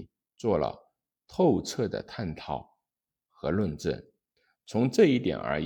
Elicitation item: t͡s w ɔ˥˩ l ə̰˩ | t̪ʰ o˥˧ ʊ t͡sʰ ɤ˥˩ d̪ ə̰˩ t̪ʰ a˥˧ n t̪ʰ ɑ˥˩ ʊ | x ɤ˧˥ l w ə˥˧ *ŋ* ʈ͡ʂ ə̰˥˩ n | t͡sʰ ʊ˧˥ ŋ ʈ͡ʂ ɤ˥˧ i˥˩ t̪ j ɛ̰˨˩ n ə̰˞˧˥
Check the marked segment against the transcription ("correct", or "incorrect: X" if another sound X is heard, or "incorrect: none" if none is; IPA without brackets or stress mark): incorrect: n